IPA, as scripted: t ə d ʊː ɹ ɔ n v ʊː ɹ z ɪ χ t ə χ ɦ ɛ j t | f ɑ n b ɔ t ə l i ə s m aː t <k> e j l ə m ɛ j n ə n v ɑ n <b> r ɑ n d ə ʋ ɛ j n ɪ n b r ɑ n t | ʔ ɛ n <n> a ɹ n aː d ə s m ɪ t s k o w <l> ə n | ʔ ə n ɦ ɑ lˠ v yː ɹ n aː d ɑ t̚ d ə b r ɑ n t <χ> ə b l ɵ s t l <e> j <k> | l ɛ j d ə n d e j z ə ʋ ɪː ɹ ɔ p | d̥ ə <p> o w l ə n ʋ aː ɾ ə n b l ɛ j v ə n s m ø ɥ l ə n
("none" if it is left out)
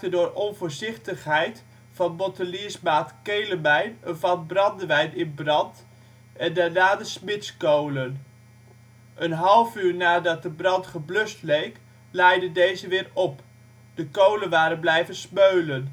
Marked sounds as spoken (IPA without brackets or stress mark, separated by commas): k, b, d, l, χ, e, k, k